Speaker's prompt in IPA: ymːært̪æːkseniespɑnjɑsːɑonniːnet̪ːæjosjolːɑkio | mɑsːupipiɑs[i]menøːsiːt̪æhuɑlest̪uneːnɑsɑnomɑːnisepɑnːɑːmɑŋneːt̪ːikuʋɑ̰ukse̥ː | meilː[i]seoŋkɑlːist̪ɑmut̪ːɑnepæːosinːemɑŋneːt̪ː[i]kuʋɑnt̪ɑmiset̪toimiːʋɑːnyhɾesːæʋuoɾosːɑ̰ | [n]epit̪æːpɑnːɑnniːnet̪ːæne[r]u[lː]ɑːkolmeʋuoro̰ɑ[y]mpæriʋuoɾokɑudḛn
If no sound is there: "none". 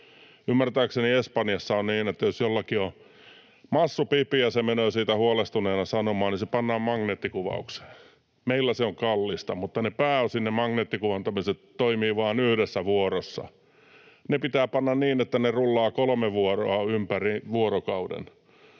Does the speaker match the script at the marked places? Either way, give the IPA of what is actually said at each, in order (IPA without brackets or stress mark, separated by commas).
e, æ, i, n, r, lː, y